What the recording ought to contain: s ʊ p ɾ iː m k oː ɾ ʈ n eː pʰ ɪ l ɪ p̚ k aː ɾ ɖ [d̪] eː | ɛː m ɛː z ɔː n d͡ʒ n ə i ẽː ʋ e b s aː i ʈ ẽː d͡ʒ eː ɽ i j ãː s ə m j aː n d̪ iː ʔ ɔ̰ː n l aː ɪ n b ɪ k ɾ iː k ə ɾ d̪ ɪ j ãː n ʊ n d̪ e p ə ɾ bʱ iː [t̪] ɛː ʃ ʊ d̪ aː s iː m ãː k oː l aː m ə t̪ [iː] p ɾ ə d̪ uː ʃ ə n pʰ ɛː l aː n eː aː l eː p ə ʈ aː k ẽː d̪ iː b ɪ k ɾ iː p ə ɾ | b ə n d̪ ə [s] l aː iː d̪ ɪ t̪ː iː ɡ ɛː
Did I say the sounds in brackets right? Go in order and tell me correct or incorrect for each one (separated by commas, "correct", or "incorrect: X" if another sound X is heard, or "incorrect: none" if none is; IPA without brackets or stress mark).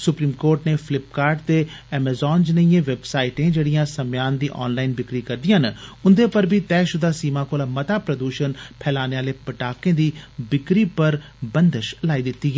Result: incorrect: t̪, correct, incorrect: aː, incorrect: ʃ